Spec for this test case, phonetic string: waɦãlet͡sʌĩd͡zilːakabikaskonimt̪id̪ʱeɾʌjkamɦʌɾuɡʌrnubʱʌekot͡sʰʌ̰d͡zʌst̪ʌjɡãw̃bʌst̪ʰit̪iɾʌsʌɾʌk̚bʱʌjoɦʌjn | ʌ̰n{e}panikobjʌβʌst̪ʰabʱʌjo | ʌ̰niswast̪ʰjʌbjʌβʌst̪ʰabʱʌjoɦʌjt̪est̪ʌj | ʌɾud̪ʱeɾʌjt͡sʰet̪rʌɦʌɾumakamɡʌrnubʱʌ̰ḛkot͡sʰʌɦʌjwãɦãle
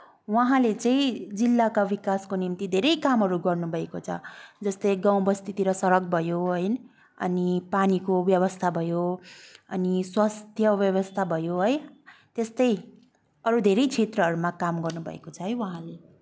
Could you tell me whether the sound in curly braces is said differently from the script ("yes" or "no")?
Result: yes